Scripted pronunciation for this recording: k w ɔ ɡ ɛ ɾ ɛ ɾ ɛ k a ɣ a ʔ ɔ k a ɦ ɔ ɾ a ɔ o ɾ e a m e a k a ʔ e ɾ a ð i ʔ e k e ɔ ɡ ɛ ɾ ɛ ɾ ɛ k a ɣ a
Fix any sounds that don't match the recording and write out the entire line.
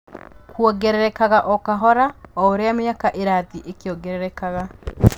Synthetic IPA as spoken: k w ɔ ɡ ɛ ɾ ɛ ɾ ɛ k a ɣ a ʔ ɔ k a ɦ ɔ ɾ a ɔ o ɾ e a m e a k a ʔ e ɾ a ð i ʔ e k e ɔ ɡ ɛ ɾ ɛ ɾ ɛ k a ɣ a